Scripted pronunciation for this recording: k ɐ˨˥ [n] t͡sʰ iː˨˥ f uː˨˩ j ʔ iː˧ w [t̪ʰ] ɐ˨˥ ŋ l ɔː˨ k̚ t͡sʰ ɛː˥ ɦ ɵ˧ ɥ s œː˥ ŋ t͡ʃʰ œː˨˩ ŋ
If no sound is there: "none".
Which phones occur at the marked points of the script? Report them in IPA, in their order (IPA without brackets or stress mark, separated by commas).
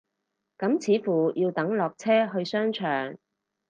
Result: m, t̪